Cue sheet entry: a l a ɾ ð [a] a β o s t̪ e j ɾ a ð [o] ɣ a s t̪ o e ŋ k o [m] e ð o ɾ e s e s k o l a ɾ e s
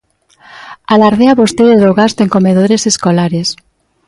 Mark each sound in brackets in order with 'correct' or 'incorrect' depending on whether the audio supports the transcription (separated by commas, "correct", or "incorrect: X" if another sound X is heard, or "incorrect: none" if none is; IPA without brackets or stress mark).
incorrect: e, correct, correct